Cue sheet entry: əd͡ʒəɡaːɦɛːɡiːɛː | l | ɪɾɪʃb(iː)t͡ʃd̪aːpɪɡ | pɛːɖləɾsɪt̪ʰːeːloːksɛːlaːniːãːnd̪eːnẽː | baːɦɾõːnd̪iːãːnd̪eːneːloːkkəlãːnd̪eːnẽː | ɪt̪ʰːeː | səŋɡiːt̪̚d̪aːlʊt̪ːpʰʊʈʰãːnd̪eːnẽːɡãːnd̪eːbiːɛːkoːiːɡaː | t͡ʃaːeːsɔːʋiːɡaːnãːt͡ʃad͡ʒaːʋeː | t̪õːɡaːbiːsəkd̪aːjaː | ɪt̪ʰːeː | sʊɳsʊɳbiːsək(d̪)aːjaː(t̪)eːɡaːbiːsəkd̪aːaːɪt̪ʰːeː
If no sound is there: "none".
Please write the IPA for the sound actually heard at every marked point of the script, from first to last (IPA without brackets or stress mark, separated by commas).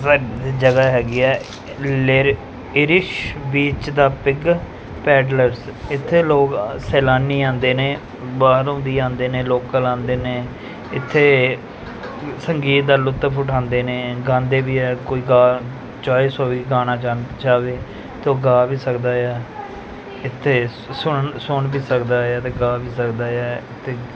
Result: iː, d̪, t̪